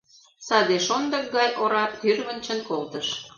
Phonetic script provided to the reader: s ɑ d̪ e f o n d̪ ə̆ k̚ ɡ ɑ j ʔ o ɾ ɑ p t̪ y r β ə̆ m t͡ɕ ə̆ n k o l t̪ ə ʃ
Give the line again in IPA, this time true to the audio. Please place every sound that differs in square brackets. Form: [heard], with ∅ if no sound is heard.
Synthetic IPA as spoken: s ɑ d̪ e [ʃ] o n d̪ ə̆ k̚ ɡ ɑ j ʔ o ɾ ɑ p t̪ y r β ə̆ [n] t͡ɕ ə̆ n k o l t̪ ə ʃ